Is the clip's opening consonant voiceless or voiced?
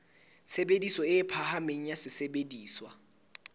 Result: voiceless